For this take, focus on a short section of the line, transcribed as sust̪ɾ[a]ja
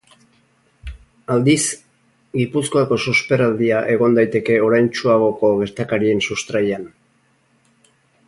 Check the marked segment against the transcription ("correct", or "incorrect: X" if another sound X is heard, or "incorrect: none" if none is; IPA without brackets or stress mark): correct